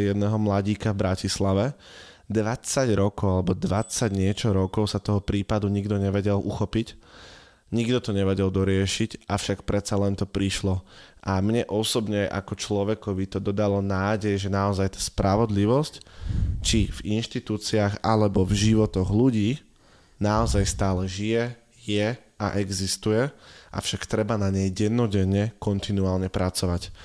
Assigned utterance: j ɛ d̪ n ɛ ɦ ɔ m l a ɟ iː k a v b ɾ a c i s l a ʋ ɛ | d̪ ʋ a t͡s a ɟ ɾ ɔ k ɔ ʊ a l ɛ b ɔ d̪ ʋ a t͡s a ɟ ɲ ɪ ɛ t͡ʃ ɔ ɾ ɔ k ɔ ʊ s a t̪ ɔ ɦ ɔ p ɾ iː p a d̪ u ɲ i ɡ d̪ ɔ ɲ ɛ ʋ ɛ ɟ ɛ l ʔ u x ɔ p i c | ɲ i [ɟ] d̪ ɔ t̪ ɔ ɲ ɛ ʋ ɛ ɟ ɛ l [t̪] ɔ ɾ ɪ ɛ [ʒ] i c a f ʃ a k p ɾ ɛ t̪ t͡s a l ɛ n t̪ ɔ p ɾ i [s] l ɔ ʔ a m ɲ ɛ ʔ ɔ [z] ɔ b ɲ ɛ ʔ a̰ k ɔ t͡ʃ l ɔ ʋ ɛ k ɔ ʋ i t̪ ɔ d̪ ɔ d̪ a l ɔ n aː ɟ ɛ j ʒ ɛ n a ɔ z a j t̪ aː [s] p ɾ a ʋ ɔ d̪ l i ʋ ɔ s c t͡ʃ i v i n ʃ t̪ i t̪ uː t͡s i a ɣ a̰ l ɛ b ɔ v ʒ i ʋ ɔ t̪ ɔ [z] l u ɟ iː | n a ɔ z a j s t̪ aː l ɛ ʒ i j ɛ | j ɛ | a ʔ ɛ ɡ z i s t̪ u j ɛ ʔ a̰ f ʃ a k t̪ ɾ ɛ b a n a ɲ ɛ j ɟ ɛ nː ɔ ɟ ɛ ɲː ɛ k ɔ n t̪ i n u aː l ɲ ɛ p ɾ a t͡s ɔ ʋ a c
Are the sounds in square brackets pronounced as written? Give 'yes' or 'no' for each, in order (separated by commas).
no, no, no, no, no, yes, no